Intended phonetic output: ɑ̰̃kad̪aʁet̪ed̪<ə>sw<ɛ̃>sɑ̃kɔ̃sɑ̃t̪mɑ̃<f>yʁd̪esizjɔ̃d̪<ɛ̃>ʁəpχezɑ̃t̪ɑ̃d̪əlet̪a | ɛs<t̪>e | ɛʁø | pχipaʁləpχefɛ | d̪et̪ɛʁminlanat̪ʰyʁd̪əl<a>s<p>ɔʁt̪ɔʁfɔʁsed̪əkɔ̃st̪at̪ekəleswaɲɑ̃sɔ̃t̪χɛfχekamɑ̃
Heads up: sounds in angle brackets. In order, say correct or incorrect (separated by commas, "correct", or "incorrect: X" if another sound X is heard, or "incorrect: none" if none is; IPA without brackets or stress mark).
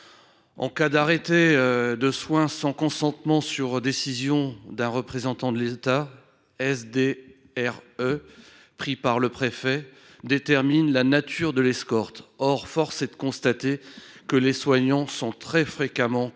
correct, correct, incorrect: s, correct, incorrect: d̪, incorrect: ɛ, incorrect: k